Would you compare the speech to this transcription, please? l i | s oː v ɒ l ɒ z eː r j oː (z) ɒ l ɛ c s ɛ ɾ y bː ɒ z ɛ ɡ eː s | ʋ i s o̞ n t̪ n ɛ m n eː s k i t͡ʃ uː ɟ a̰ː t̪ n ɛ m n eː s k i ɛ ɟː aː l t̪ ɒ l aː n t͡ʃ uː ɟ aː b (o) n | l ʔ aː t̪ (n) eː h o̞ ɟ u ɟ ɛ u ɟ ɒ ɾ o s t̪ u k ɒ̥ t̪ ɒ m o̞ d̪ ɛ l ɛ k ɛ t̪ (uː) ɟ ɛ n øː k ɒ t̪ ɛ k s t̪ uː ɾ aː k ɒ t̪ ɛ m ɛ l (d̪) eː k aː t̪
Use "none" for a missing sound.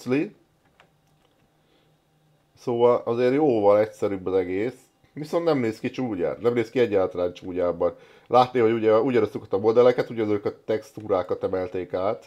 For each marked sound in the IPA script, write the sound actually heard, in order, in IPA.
v, ɒ, n, u, t̪

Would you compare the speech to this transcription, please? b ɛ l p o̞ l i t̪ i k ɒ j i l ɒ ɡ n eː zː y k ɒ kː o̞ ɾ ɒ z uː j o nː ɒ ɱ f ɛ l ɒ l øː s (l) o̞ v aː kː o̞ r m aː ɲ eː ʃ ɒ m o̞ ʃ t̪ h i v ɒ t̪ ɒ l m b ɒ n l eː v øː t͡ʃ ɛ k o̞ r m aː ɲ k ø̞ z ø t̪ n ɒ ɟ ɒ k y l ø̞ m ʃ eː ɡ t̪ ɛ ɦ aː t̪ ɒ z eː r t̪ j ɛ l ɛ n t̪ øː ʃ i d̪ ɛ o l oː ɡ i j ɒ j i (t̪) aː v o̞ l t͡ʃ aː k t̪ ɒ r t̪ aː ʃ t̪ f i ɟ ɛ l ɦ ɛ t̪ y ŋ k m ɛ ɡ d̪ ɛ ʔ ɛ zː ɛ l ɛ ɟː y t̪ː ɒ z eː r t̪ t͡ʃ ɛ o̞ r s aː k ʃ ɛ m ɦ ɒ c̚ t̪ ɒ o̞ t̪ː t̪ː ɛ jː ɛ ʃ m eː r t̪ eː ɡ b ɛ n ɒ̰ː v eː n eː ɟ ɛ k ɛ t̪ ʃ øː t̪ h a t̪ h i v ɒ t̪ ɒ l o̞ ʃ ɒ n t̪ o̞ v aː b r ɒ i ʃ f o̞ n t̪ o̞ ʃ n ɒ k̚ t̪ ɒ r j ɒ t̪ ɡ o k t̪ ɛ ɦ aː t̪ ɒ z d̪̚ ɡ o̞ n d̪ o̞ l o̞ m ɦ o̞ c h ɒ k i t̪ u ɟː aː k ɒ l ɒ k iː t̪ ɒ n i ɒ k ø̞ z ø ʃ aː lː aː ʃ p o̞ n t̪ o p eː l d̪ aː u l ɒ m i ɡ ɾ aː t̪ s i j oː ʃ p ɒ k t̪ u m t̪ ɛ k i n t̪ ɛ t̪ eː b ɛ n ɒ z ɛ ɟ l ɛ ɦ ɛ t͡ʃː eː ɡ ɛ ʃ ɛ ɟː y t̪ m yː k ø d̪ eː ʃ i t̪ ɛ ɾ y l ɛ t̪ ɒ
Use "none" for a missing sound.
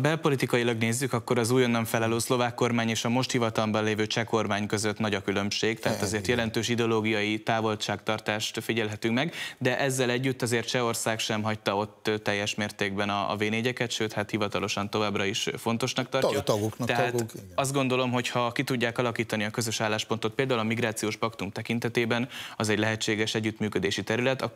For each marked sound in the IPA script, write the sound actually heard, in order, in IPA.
l, t̪

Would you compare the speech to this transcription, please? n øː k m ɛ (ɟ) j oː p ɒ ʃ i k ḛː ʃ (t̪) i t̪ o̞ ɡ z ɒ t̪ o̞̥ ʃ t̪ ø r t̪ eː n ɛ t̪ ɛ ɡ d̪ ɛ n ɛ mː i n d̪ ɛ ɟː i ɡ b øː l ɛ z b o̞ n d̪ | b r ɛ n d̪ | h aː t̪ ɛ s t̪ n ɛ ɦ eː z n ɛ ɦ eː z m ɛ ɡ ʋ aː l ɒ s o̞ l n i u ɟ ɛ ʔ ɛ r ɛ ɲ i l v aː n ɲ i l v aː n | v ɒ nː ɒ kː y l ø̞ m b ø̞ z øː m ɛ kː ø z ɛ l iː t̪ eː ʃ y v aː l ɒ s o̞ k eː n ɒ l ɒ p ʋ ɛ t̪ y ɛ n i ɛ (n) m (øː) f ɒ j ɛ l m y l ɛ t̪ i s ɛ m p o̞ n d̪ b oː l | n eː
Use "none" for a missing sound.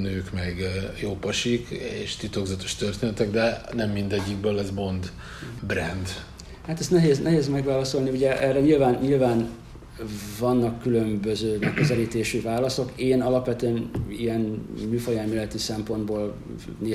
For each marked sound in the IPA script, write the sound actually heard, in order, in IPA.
ɡ, t̪, n, yː

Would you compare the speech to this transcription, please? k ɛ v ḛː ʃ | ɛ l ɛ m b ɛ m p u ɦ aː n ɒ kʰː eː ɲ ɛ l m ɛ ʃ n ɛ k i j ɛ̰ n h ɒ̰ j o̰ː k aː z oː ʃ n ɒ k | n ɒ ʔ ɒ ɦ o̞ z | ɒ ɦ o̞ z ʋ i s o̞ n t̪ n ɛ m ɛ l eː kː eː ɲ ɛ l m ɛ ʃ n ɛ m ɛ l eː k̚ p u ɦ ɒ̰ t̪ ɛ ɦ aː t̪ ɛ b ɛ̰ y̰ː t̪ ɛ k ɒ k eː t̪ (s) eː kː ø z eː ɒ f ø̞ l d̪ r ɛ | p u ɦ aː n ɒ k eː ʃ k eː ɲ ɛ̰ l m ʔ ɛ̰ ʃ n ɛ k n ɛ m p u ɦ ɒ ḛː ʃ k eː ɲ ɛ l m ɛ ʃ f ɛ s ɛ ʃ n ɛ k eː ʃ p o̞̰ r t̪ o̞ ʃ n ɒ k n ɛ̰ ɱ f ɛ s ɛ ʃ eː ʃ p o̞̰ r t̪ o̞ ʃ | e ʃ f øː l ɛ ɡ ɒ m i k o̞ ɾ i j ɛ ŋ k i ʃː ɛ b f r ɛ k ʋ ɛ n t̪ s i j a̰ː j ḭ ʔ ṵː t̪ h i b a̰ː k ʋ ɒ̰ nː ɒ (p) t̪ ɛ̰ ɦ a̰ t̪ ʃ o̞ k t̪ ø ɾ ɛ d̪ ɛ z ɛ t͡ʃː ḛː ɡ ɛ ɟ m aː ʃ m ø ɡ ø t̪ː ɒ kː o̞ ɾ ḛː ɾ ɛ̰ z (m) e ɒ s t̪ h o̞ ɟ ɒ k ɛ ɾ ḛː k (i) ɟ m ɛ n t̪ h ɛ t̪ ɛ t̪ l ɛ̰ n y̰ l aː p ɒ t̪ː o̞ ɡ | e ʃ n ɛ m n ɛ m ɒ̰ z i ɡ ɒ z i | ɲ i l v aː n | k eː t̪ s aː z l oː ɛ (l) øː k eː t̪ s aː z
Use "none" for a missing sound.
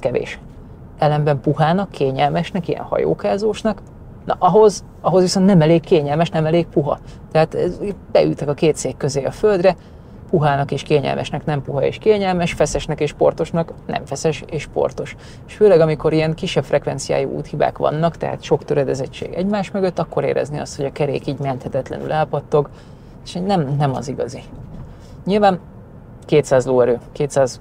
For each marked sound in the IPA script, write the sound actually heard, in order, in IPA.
s, k, n, iː, ɾ

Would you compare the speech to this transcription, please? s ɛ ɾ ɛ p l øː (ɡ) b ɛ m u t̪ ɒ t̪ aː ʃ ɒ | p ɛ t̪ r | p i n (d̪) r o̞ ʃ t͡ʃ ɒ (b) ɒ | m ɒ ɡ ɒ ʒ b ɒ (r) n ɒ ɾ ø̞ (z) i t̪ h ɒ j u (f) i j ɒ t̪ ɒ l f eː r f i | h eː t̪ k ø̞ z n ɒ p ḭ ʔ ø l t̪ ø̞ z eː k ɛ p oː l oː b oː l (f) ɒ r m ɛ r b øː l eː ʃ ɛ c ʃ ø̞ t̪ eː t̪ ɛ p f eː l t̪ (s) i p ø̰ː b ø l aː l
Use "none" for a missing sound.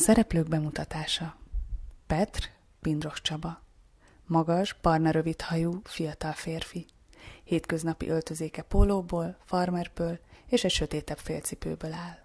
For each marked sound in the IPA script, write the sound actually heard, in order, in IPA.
ɡ, d̪, b, r, v, f, f, s

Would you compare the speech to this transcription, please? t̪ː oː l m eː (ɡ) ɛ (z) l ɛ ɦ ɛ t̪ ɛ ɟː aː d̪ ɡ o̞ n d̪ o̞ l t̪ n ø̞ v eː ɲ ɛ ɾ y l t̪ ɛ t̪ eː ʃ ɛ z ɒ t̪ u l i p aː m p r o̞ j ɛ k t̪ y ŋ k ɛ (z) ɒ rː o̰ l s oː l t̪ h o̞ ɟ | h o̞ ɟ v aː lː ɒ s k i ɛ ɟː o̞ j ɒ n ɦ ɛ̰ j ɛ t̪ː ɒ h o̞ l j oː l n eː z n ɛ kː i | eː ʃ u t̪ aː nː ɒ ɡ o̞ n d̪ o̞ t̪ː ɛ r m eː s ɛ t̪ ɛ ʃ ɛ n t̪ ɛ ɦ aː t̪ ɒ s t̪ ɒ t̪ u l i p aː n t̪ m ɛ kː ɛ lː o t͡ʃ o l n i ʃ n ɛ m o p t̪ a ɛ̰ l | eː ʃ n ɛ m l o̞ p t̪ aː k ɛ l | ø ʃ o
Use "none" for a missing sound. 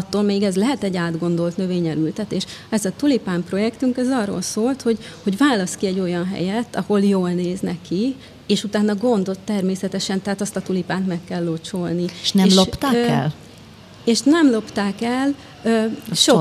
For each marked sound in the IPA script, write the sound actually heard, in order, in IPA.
ɡ, z, z

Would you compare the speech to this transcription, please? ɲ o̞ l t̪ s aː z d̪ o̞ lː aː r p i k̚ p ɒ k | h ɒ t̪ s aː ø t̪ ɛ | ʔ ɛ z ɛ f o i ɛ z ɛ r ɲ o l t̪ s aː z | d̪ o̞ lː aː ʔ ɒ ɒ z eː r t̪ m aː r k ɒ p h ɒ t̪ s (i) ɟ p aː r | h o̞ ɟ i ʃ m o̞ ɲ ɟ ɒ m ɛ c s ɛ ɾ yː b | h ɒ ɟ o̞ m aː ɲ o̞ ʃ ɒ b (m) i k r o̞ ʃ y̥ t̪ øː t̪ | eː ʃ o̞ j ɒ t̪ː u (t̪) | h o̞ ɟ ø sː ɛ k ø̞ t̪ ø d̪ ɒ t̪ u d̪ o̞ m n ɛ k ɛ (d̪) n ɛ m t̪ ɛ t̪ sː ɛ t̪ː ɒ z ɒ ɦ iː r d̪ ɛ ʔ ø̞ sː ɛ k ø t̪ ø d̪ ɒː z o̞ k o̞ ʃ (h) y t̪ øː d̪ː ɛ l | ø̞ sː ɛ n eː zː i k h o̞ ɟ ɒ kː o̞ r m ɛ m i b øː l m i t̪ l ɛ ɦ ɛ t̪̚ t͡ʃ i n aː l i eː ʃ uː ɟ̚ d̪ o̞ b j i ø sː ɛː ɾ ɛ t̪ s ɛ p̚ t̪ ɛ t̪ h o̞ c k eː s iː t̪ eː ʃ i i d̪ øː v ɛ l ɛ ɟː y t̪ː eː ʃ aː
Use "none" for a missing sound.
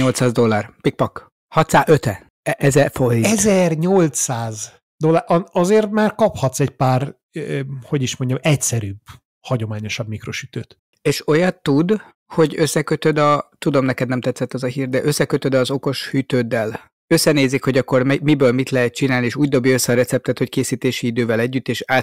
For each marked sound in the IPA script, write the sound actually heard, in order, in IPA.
ɛ, m, d̪, d̪, h

